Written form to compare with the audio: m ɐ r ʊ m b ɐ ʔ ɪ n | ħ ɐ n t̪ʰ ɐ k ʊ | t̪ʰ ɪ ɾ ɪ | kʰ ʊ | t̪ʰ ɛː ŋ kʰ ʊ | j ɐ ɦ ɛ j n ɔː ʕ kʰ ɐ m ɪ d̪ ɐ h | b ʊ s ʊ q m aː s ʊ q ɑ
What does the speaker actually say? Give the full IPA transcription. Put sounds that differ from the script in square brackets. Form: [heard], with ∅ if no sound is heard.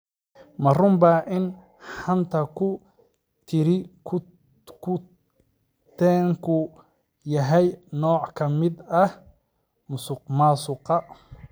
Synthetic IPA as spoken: m ɐ r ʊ m b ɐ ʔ ɪ n | ħ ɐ n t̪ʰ ɐ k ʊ | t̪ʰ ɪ ɾ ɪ | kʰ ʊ | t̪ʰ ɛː ŋ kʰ ʊ | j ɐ ɦ ɛ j n ɔː ʕ kʰ ɐ m ɪ d̪ ɐ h | [m] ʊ s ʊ q m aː s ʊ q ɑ